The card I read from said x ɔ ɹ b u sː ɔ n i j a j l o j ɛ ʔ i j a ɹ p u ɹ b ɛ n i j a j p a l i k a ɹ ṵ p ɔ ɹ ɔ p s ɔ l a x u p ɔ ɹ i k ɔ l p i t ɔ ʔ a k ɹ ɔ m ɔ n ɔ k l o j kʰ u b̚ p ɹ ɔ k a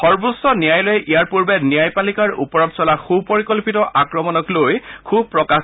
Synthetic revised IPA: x ɔ ɹ b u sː ɔ n i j a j l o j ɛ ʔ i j a ɹ p u ɹ b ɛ n i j a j p a l i k a ɹ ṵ p ɔ ɹ ɔ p s ɔ l a x u p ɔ ɹ i k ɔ l p i t ɔ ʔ a k ɹ ɔ m ɔ n ɔ k l o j kʰ u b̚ p ɹ ɔ k a